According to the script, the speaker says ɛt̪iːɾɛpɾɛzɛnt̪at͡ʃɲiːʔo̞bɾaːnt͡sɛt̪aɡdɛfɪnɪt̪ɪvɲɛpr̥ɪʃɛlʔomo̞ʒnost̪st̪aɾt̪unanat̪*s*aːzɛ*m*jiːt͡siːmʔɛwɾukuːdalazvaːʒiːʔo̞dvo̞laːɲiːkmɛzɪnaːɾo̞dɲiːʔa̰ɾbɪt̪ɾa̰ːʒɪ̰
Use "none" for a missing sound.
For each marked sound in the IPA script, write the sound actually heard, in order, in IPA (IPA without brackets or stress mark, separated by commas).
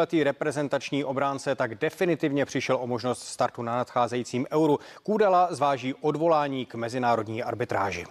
x, none